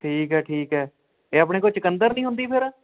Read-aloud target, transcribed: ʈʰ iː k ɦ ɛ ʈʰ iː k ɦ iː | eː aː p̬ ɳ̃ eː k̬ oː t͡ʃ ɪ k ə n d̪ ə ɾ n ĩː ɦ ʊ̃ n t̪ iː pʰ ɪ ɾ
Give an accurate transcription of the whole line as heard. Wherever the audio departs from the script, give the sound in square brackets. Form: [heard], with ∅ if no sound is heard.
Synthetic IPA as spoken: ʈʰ iː k ɦ [ɛː] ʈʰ iː k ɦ [ɛː] | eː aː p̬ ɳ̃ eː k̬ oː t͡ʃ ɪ k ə n d̪ ə ɾ n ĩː ɦ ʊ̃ n [d̪] iː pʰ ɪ ɾ

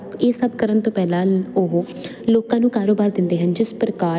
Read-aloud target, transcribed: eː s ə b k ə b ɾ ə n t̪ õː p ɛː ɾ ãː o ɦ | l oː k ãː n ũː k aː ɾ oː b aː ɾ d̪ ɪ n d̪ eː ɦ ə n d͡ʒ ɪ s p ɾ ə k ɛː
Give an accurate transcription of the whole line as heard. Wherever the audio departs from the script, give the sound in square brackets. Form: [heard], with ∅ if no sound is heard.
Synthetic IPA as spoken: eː s ə b k ə [∅] ɾ ə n t̪ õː p ɛː [l] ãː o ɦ | l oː k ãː n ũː k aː ɾ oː b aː ɾ d̪ ɪ n d̪ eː ɦ ə n d͡ʒ ɪ s p ɾ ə k [aː]

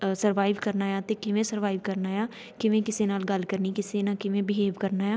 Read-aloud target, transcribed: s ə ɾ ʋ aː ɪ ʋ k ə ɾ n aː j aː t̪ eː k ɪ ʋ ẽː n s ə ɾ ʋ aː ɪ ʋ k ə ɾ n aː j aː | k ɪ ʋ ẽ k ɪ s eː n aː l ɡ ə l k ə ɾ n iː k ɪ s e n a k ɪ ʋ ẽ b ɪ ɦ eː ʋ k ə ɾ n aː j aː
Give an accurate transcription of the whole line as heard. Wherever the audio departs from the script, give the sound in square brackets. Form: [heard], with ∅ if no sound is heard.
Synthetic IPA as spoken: s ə ɾ ʋ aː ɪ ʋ k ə ɾ n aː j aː t̪ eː k ɪ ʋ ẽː [∅] s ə ɾ ʋ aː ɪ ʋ k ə ɾ n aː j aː | k ɪ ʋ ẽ k ɪ s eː n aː l ɡ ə l k ə ɾ n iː k ɪ s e n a k ɪ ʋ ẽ b ɪ ɦ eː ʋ k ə ɾ n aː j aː

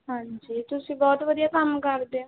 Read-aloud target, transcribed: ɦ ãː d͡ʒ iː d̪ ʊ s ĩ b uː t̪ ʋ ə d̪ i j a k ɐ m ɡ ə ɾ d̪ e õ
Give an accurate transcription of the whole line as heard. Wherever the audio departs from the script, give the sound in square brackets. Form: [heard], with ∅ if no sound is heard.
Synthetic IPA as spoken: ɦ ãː d͡ʒ iː [t̪] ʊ s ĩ b [ɔː] t̪ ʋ ə d̪ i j a k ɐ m [k] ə ɾ d̪ e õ

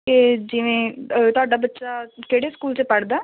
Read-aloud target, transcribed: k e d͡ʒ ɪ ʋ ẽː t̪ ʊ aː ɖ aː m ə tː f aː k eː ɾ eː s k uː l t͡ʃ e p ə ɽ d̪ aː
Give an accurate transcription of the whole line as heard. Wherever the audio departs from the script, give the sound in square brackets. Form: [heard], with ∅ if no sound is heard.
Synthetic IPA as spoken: k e d͡ʒ ɪ ʋ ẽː t̪ ʊ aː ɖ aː [b] ə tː [ʃ] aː k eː [ɽ] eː s k uː l t͡ʃ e p ə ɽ d̪ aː

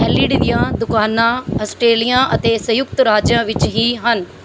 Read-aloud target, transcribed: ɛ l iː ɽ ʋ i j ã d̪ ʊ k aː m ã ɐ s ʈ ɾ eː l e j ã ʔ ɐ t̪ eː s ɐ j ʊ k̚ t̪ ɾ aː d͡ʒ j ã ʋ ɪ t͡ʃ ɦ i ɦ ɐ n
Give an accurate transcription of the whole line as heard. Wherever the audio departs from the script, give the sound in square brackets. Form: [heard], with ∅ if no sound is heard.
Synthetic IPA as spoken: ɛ l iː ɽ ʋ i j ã d̪ ʊ k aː [n] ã ɐ s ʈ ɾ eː l [i] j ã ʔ ɐ t̪ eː s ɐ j ʊ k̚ t̪ ɾ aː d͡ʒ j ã ʋ ɪ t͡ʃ ɦ i ɦ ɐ n

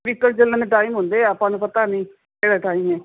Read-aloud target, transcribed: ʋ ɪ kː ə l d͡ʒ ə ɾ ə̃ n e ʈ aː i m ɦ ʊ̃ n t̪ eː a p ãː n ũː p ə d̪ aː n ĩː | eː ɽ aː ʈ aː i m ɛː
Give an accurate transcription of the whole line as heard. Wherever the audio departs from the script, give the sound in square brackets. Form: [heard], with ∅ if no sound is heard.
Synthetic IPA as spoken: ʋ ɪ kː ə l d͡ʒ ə [l] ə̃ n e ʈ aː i m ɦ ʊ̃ n [d̪] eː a p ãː n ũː p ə [t̪] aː n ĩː | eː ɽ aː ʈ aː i m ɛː

